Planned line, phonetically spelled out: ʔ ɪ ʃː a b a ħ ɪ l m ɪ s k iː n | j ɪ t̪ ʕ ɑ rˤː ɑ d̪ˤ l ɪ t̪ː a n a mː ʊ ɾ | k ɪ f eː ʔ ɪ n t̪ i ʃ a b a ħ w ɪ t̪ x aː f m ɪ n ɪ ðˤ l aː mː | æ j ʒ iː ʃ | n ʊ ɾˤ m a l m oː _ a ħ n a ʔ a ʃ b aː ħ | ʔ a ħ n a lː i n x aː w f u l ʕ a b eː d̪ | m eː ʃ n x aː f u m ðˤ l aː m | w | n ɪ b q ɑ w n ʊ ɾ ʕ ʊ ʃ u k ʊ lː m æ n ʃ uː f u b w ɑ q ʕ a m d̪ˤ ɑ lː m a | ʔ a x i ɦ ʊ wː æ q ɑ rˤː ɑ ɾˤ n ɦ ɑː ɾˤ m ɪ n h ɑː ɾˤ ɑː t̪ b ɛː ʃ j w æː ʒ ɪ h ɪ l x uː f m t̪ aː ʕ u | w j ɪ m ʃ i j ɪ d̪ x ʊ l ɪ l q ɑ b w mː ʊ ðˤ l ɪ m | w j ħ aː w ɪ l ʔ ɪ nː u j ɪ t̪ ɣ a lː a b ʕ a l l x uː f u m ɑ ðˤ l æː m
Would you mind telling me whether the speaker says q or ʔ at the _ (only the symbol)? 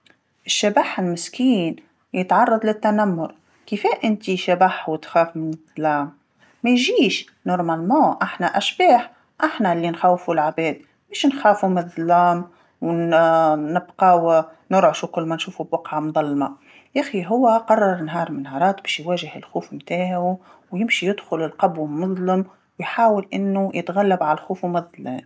ʔ